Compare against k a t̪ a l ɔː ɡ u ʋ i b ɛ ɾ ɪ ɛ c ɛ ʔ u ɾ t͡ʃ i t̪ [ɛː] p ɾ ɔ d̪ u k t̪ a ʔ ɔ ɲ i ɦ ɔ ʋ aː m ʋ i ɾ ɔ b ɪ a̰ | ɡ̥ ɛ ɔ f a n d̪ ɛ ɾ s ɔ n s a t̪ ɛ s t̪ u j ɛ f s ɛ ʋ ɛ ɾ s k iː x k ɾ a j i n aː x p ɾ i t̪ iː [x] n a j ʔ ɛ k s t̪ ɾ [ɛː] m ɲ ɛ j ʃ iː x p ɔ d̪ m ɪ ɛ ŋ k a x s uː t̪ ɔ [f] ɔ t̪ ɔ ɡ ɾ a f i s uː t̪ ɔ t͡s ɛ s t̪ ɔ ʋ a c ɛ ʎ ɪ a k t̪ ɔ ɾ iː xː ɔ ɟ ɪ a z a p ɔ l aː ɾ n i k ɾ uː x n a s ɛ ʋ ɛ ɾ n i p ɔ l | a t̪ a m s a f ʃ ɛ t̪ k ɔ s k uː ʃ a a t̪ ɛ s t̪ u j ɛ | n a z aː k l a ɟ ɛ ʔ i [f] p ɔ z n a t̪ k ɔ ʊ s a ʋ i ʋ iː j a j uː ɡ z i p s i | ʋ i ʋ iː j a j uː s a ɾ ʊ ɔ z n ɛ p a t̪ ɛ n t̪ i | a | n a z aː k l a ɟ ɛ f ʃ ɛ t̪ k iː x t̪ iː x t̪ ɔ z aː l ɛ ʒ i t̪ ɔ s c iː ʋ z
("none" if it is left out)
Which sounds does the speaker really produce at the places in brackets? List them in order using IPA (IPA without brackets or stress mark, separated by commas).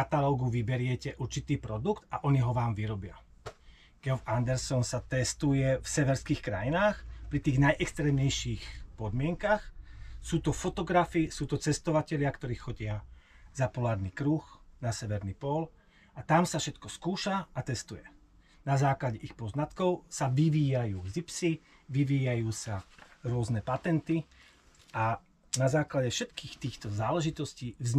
iː, ɣ, ɛː, f, x